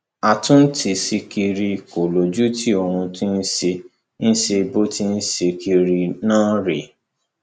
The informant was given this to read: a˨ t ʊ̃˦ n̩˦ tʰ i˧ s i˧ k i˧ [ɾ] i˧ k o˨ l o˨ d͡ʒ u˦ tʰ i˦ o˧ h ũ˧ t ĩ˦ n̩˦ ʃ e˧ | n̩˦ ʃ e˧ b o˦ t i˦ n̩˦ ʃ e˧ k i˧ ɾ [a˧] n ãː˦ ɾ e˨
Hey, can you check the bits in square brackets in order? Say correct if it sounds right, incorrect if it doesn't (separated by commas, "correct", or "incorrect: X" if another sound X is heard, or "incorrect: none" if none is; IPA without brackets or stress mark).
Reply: correct, incorrect: i˧